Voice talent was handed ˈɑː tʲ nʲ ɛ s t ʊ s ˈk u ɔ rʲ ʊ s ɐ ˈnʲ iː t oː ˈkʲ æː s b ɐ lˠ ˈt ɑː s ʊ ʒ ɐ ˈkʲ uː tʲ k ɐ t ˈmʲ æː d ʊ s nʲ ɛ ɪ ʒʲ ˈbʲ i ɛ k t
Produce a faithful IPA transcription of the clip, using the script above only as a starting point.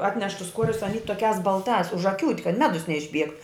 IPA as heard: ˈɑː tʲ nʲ ɛ ʃ t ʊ s ˈk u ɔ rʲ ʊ s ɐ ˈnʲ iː t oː ˈkʲ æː s b ɐ lˠ ˈt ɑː s ʊ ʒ ɐ ˈkʲ uː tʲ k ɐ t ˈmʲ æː d ʊ s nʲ ɛ ɪ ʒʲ ˈbʲ i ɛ k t